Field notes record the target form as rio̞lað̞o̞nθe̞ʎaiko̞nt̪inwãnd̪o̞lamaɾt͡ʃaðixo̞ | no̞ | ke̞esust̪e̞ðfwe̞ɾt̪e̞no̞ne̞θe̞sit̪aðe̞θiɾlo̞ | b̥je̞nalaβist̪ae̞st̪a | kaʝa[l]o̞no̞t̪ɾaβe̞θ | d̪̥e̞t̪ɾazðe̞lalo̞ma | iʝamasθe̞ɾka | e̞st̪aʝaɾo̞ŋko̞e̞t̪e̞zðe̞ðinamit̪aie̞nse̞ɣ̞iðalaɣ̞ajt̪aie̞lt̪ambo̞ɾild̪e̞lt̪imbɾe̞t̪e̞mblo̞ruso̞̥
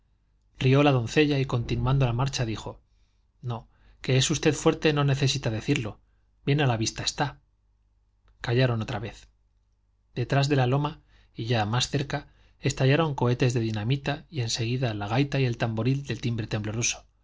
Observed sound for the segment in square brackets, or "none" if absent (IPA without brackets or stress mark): ɾ